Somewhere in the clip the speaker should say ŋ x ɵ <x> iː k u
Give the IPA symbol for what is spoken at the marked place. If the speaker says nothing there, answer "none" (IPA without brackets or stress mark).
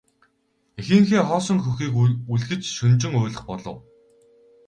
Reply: x